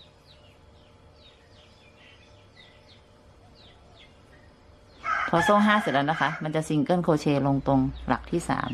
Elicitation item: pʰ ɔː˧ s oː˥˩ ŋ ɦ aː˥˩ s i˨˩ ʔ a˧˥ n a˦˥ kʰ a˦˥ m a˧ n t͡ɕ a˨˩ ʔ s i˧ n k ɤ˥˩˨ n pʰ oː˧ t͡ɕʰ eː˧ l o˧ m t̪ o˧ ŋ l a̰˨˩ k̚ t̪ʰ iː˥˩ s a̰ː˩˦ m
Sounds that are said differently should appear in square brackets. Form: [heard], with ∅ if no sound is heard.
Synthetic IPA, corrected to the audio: pʰ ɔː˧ s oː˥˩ ŋ ɦ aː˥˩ s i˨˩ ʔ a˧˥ n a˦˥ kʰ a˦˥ m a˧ n t͡ɕ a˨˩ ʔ s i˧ [ŋ] k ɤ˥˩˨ n [kʰ] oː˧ t͡ɕʰ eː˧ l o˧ [ŋ] t̪ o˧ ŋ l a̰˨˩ k̚ t̪ʰ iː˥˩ s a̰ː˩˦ m